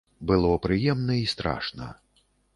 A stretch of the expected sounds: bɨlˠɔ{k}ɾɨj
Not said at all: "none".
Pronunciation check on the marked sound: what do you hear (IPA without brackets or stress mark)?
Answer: p